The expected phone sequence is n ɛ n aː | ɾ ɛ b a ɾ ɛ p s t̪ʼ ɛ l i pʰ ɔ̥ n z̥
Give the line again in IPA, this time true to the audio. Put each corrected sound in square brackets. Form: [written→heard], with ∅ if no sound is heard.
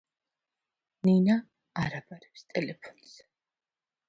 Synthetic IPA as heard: n [ɛ→i] n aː | ɾ [ɛ→a] b a ɾ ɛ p s t̪ʼ ɛ l [i→ɛ] pʰ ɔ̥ n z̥

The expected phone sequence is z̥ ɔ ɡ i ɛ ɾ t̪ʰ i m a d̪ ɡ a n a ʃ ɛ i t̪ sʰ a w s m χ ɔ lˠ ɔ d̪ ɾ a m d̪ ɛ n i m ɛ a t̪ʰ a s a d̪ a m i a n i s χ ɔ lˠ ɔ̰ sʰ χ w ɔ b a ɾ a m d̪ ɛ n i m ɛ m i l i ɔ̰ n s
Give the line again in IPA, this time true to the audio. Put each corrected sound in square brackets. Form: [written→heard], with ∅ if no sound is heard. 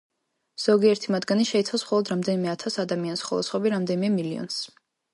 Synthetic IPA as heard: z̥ ɔ ɡ i ɛ ɾ t̪ʰ i m a d̪ ɡ a n [a→i] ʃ ɛ i t̪ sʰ a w s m χ ɔ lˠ ɔ d̪ ɾ a m d̪ ɛ n i m ɛ a t̪ʰ a s a d̪ a m i a n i s χ ɔ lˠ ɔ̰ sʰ χ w ɔ b [a→i] ɾ a m d̪ ɛ n i m ɛ m i l i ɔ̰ n s

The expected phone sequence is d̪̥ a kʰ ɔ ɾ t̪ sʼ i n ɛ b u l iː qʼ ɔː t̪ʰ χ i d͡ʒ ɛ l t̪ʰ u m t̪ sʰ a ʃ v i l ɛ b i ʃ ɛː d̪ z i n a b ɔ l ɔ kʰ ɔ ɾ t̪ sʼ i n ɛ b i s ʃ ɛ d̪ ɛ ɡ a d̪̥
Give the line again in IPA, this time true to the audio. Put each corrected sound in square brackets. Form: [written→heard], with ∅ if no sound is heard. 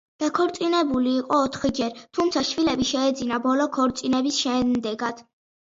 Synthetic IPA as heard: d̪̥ a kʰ ɔ ɾ t̪ sʼ i n ɛ b u l iː qʼ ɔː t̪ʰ χ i d͡ʒ ɛ [l→ɾ] t̪ʰ u m t̪ sʰ a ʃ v i l ɛ b i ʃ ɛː d̪ z i n a b ɔ l ɔ kʰ ɔ ɾ t̪ sʼ i n ɛ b i s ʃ ɛ d̪ ɛ ɡ a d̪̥

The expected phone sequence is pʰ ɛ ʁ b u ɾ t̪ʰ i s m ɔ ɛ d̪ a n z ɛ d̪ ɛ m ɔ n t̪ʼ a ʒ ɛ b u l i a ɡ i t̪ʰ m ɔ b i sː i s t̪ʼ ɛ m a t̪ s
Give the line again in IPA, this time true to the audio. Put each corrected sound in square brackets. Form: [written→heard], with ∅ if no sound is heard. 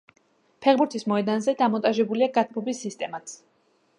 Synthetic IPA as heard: pʰ ɛ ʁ b u ɾ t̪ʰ i s m ɔ ɛ d̪ a n z ɛ d̪ [ɛ→a] m ɔ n t̪ʼ a ʒ ɛ b u l i a ɡ [i→a] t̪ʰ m ɔ b i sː i s t̪ʼ ɛ m a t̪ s

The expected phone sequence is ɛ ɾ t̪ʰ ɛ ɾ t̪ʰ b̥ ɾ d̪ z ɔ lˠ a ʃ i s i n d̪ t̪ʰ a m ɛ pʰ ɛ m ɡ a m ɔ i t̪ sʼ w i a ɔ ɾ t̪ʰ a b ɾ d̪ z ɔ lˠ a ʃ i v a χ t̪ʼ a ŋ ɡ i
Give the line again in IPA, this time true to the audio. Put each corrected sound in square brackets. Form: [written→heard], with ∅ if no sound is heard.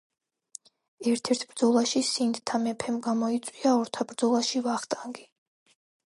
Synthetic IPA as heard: ɛ ɾ t̪ʰ ɛ ɾ t̪ʰ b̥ ɾ d̪ z ɔ lˠ a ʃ i s i n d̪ t̪ʰ a m ɛ pʰ ɛ m ɡ a m ɔ i t̪ sʼ w i a ɔ ɾ t̪ʰ a b ɾ d̪ z ɔ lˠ a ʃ i v a χ t̪ʼ a ŋ ɡ i

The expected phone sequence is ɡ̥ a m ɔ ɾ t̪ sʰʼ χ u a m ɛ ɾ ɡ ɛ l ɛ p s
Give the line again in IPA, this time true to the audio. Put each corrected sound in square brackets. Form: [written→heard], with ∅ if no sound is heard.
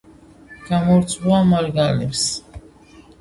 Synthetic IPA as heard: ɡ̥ a m ɔ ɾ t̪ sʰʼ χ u a m [ɛ→a] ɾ ɡ [ɛ→a] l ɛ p s

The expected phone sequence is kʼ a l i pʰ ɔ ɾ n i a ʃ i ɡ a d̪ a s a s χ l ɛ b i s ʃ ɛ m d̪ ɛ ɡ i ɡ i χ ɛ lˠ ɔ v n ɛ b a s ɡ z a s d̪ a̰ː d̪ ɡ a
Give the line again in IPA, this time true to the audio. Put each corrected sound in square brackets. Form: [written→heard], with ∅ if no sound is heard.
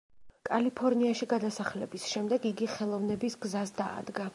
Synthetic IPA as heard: kʼ a l i pʰ ɔ ɾ n i a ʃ i ɡ a d̪ a s a [s→∅] χ l ɛ b i s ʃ ɛ m d̪ ɛ ɡ i ɡ i χ ɛ lˠ ɔ v n ɛ b [a→i] s ɡ z a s d̪ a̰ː d̪ ɡ a

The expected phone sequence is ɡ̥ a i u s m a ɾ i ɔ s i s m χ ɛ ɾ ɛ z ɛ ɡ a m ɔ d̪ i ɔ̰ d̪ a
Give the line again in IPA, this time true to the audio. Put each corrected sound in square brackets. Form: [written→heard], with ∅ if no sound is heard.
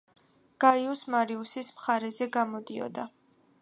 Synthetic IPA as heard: ɡ̥ a i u s m a ɾ i [ɔ→u] s i s m χ [ɛ→a] ɾ ɛ z ɛ ɡ a m ɔ d̪ i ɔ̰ d̪ a

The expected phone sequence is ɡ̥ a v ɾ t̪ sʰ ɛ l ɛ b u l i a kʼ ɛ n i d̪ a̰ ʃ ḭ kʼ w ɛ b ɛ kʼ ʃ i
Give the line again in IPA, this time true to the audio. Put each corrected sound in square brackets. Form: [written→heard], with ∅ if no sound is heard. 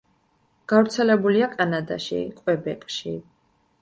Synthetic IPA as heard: ɡ̥ a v ɾ t̪ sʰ ɛ l ɛ b u l i a kʼ [ɛ→a] n [i→a] d̪ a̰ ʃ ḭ kʼ w ɛ b ɛ kʼ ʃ i

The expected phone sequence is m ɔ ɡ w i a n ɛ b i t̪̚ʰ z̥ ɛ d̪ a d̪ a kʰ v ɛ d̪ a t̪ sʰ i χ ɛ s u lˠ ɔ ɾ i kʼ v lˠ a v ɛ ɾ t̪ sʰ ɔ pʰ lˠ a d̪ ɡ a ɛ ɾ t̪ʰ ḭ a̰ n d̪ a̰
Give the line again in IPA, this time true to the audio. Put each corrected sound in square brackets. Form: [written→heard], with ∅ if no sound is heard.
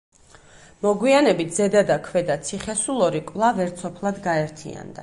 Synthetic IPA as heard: m ɔ ɡ w i a n ɛ b i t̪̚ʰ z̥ ɛ d̪ a d̪ a kʰ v ɛ d̪ a t̪ sʰ i χ ɛ s u lˠ ɔ ɾ i kʼ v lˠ a v ɛ ɾ t̪ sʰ ɔ pʰ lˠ a d̪ ɡ a ɛ ɾ t̪ʰ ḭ a̰ n d̪ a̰

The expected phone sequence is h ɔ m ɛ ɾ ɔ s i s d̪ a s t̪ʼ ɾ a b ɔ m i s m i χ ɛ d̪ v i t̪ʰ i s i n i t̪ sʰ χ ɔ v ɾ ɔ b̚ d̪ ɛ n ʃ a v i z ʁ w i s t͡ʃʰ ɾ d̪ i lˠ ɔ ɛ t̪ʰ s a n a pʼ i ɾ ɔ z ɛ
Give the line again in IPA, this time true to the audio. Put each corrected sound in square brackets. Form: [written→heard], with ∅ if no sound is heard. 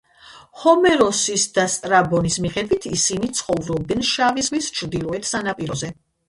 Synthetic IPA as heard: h ɔ m ɛ ɾ ɔ s i s d̪ a s t̪ʼ ɾ a b ɔ [m→n] i s m i χ ɛ d̪ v i t̪ʰ i s i n i t̪ sʰ χ ɔ v ɾ ɔ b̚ d̪ ɛ n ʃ a v i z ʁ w i s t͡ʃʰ ɾ d̪ i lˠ ɔ ɛ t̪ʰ s a n a pʼ i ɾ ɔ z ɛ

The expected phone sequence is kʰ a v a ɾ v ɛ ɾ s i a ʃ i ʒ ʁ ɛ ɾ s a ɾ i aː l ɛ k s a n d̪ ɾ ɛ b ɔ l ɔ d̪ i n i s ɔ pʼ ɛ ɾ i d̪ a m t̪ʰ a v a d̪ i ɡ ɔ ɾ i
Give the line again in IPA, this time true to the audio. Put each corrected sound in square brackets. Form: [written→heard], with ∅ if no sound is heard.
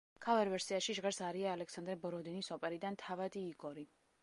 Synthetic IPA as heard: kʰ a v [a→ɛ] ɾ v ɛ ɾ s i a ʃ i ʒ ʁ ɛ ɾ s a ɾ i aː l ɛ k s a n d̪ ɾ ɛ b ɔ [l→ɾ] ɔ d̪ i n i s ɔ pʼ ɛ ɾ i d̪ a [m→n] t̪ʰ a v a d̪ [i→iː] ɡ ɔ ɾ i

